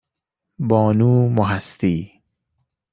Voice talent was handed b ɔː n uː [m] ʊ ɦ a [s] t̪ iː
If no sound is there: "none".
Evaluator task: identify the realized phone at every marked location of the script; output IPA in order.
m, s

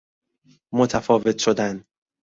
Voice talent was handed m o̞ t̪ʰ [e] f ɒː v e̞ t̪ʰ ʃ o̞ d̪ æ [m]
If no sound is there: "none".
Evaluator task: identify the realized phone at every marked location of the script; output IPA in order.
æ, n

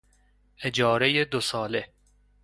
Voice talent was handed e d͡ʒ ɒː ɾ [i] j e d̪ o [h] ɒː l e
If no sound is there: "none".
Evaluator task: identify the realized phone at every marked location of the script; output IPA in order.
e, s

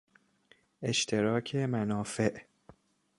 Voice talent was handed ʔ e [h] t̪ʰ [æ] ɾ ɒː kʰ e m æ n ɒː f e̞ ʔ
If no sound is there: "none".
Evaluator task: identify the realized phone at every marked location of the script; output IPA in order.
ʃ, e

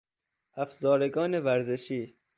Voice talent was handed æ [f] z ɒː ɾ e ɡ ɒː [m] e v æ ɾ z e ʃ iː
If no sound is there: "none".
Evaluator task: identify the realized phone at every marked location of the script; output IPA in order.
f, n

